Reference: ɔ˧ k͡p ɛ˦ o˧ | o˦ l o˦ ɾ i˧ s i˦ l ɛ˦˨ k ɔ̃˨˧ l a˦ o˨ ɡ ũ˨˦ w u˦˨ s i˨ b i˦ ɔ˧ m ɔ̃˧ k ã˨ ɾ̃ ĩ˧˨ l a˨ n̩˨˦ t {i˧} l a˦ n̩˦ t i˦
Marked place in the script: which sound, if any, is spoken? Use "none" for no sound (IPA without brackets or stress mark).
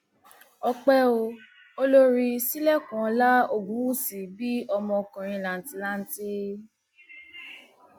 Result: i˧